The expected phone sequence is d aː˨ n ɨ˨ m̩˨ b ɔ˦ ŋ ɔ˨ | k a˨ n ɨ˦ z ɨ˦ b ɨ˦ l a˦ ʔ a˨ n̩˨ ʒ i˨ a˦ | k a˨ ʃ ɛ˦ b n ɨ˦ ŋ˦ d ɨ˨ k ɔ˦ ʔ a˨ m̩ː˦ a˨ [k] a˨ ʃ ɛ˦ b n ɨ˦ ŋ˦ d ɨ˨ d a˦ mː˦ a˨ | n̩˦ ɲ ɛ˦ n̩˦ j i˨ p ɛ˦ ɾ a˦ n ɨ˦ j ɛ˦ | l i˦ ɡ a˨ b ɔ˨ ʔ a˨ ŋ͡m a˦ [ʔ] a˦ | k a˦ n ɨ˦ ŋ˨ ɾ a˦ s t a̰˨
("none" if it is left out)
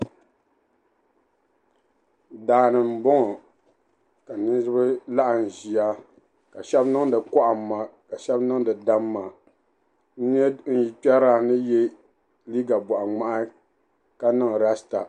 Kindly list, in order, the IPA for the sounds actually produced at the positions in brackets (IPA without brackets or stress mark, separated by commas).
k, ʔ